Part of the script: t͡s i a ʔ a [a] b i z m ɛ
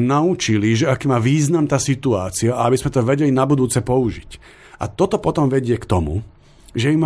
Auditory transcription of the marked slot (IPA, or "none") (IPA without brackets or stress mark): a